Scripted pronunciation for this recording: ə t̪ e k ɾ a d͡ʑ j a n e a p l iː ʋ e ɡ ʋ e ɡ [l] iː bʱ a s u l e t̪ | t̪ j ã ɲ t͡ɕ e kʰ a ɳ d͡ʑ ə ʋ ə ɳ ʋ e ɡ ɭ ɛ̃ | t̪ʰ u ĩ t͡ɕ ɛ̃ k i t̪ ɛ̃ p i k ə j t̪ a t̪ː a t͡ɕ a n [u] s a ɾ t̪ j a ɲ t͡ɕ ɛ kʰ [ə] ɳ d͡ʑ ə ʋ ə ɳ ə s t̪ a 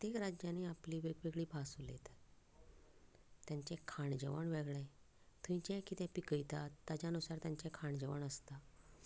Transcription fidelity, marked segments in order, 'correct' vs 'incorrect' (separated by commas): incorrect, correct, incorrect